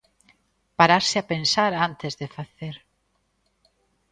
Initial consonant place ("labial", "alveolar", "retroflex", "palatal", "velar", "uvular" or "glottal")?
labial